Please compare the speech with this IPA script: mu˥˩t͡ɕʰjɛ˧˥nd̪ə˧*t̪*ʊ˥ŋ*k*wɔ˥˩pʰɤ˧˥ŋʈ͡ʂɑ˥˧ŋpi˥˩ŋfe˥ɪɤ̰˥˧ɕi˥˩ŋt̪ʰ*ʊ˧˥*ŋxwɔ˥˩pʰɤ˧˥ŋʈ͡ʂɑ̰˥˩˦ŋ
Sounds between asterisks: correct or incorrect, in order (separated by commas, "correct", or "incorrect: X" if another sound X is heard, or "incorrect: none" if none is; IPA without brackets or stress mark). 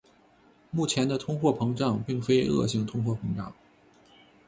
incorrect: t̪ʰ, incorrect: x, incorrect: ʊ˥